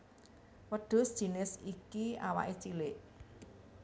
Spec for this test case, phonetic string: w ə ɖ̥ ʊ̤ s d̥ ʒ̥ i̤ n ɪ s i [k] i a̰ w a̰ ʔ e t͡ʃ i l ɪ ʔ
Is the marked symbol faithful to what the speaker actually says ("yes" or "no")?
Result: yes